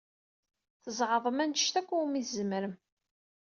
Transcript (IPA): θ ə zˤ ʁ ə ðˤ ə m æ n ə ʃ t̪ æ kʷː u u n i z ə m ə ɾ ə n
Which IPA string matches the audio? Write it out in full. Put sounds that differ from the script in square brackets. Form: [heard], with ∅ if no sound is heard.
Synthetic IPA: θ ə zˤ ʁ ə ðˤ ə m æ n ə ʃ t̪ æ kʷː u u [m] i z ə m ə ɾ ə [m]